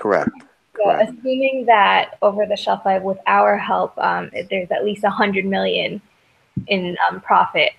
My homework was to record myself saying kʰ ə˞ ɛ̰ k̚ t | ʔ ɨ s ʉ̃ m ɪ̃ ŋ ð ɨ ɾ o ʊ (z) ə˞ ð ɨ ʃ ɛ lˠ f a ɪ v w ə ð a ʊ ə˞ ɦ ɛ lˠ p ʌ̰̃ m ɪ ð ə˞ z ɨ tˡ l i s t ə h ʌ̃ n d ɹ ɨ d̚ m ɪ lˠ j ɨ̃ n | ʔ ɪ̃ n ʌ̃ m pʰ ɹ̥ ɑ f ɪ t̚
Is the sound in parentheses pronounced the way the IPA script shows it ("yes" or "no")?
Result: no